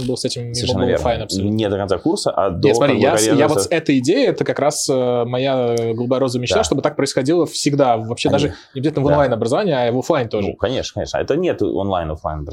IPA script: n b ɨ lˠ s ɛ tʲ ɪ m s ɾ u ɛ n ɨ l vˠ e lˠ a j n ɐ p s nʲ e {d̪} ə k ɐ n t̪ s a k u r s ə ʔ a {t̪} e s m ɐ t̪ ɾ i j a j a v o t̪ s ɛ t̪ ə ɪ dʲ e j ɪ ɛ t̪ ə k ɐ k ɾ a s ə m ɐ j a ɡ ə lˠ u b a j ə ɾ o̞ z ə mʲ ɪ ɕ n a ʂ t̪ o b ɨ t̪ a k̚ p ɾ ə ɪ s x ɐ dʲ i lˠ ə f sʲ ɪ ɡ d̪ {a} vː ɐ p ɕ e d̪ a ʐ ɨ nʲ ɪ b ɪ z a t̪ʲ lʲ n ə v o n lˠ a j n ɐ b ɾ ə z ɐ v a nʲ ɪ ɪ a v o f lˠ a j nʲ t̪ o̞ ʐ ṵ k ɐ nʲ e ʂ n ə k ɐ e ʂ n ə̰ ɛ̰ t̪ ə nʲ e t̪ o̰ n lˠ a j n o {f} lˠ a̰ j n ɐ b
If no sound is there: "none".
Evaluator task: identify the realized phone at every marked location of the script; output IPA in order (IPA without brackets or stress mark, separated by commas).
d̪, d̪, a, f